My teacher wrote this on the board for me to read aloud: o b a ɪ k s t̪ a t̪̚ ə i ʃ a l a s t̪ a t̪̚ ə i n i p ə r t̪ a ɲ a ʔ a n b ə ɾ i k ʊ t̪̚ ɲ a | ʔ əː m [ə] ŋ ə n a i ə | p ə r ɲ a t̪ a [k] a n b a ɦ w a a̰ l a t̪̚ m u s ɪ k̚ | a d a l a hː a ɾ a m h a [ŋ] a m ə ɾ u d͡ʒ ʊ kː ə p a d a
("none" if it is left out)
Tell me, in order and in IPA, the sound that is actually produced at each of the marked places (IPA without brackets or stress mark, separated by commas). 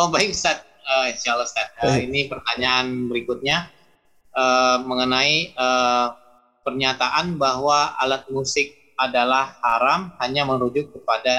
ə, ʔ, ɲ